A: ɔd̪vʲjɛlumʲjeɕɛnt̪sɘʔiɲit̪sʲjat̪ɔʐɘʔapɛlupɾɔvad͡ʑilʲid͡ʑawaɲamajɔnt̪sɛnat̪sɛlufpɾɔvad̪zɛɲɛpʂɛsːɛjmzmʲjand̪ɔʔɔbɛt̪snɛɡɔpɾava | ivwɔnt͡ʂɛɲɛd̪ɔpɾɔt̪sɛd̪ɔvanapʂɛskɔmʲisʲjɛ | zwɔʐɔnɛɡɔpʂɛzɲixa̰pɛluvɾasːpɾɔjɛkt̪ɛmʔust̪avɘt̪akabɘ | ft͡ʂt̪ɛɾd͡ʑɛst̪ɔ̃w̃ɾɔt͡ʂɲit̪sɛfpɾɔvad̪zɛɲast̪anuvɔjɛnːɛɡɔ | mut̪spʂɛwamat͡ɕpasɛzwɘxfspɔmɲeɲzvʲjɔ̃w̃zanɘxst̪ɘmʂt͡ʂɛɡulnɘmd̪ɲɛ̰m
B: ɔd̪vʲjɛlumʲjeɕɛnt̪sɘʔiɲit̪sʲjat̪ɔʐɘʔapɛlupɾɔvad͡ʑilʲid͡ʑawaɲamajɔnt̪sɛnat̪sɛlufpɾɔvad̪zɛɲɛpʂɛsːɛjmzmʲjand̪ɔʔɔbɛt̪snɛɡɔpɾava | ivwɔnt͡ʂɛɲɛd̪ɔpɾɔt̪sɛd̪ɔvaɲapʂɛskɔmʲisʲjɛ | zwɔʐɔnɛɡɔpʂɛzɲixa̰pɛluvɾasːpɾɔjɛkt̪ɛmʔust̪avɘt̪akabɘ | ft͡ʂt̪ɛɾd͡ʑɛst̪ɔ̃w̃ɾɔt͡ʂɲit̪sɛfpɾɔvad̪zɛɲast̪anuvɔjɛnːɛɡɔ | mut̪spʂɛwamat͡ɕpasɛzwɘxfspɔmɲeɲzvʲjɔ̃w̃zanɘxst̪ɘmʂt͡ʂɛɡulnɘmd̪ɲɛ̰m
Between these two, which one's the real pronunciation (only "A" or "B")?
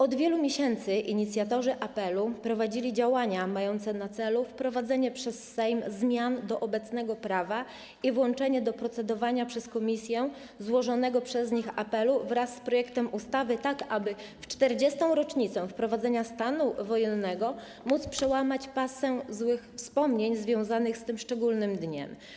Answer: B